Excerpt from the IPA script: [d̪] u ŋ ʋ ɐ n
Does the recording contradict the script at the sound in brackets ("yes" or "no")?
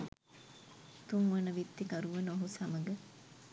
yes